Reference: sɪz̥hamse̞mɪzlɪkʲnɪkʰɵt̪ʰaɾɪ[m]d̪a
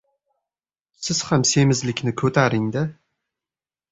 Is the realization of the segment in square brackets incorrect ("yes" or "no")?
yes